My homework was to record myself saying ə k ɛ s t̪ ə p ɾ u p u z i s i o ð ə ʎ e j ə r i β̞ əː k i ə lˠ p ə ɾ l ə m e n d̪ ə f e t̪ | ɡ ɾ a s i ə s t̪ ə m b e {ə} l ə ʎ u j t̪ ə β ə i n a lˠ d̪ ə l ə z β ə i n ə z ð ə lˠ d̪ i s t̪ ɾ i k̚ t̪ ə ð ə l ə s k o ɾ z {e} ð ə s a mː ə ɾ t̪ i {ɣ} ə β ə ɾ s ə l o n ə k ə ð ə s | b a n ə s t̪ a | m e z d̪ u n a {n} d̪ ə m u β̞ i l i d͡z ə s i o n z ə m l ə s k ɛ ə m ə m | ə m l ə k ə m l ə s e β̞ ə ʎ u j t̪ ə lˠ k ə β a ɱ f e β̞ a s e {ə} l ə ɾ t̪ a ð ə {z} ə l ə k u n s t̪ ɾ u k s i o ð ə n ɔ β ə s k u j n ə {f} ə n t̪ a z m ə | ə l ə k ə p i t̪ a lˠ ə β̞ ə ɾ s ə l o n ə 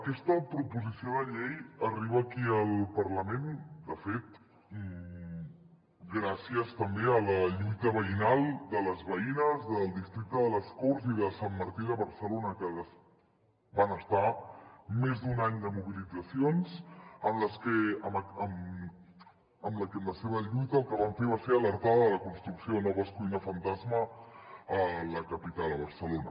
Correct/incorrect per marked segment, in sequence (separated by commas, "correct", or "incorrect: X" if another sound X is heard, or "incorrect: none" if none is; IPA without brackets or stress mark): correct, incorrect: i, incorrect: ð, incorrect: ɲ, correct, incorrect: ð, correct